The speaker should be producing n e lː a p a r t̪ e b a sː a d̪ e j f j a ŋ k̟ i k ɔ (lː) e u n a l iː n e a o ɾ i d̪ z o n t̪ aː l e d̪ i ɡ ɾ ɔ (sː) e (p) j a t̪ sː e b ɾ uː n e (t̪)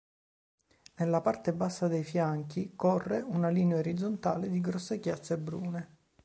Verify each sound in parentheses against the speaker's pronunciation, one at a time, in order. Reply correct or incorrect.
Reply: incorrect: rː, correct, incorrect: k, incorrect: none

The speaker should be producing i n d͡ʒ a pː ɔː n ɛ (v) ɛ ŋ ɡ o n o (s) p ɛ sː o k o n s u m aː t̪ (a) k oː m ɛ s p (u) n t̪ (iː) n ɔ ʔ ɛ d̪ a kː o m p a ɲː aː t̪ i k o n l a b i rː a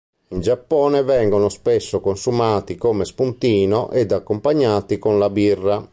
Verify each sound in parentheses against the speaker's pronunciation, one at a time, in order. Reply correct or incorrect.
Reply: correct, correct, incorrect: i, correct, correct

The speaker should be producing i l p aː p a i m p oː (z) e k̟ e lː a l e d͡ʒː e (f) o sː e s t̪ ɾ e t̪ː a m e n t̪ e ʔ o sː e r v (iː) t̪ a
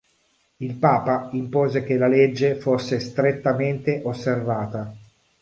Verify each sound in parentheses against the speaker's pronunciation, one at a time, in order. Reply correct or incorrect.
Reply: correct, correct, incorrect: aː

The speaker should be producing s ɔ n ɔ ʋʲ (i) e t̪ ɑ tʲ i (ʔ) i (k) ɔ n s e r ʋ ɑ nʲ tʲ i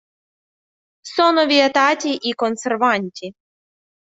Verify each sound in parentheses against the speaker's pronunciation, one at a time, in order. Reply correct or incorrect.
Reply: correct, correct, correct

